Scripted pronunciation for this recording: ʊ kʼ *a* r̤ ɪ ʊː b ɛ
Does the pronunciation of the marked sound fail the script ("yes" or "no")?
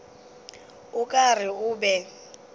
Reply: no